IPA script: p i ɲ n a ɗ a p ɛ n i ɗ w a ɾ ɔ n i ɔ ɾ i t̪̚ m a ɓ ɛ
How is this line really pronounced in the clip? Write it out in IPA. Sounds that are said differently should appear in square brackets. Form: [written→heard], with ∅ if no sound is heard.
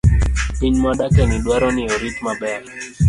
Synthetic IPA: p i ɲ [n→m] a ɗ a [p→k] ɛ n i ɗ w a ɾ ɔ n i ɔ ɾ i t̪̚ m a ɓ ɛ

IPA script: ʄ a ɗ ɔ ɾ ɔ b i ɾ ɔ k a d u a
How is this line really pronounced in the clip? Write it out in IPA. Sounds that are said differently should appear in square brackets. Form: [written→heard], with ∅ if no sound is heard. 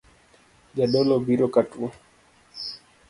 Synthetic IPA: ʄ a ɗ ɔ [ɾ→l] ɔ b i ɾ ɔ k a [d→t] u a

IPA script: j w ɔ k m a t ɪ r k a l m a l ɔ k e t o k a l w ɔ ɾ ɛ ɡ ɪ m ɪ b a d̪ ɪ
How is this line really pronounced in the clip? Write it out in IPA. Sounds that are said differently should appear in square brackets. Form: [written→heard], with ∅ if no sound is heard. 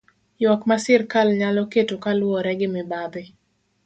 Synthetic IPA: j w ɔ k m a [t→s] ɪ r k a l [m→ɲ] a l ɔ k e t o k a l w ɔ ɾ ɛ ɡ ɪ m ɪ b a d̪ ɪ

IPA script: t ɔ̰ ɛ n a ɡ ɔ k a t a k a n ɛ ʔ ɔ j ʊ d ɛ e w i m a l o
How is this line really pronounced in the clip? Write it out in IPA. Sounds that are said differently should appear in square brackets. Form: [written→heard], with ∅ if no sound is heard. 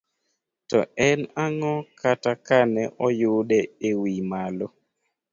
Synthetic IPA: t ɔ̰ ɛ n a [ɡ→ŋ] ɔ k a t a k a n ɛ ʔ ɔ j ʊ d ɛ e w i m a l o

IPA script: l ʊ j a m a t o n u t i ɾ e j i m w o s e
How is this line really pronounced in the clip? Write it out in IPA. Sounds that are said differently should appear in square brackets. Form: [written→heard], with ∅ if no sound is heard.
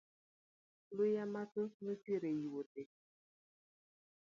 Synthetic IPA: l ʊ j a m a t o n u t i ɾ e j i [m→∅] w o [s→t] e

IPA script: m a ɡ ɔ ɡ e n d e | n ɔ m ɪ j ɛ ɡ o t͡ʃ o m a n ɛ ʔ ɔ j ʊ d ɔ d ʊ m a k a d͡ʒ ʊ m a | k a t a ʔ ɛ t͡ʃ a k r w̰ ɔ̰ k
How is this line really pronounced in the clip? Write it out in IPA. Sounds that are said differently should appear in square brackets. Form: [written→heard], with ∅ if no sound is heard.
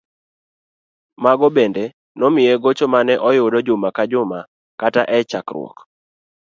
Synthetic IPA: m a ɡ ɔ [ɡ→b] e n d e | n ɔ m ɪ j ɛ ɡ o t͡ʃ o m a n ɛ ʔ ɔ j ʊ d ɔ [d→d͡ʒ] ʊ m a k a d͡ʒ ʊ m a | k a t a ʔ ɛ t͡ʃ a k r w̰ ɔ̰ k

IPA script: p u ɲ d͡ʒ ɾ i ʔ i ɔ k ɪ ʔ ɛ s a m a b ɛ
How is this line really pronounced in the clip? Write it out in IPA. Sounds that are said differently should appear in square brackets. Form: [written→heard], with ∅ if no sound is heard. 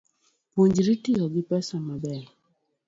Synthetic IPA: p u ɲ d͡ʒ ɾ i [ʔ→t] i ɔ [k→ɡ] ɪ [ʔ→p] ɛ s a m a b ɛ

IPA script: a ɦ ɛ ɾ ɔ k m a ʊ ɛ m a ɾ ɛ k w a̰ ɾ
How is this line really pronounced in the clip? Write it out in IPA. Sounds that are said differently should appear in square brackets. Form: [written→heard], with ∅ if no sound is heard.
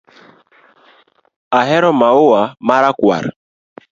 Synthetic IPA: a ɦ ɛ ɾ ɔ [k→∅] m a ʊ [ɛ→a] m a ɾ [ɛ→a] k w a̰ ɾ

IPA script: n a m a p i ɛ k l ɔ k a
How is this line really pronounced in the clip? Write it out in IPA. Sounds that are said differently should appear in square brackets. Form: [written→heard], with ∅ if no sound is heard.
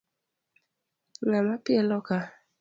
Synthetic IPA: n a m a p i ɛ [k→∅] l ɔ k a

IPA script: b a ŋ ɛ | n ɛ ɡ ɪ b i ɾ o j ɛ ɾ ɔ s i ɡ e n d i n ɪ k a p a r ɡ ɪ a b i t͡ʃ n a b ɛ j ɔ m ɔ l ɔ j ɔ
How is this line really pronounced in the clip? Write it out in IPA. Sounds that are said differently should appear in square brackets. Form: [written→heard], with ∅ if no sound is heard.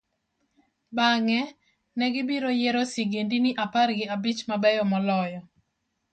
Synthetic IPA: b a ŋ ɛ | n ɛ ɡ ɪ b i ɾ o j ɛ ɾ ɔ s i ɡ e n d i n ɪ [k→ʔ] a p a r ɡ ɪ a b i t͡ʃ [n→m] a b ɛ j ɔ m ɔ l ɔ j ɔ

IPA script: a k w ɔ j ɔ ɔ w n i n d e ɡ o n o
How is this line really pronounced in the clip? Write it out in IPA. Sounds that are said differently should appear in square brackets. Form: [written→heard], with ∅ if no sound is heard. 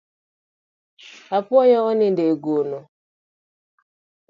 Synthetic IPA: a [k→p] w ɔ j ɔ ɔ [w→∅] n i n d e ɡ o n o

